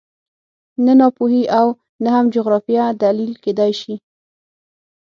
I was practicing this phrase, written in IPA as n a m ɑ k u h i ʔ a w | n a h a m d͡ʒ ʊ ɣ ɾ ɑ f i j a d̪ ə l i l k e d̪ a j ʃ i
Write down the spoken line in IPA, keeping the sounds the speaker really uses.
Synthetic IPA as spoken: n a n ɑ p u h i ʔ a w | n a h a m d͡ʒ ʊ ɣ ɾ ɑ f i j a d̪ a l i l k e d̪ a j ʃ i